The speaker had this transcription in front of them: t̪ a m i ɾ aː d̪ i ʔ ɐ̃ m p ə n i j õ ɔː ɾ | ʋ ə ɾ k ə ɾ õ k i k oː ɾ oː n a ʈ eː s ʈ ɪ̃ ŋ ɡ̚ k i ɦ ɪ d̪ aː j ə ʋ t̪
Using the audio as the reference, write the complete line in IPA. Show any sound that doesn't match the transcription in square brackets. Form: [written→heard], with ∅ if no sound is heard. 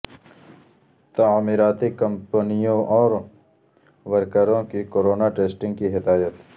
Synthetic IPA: t̪ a m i ɾ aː [d̪→t̪] i [ʔ→k] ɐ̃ m p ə n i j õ ɔː ɾ | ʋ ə ɾ k ə ɾ õ k i k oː ɾ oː n a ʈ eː s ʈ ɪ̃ ŋ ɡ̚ k i ɦ ɪ d̪ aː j ə [ʋ→∅] t̪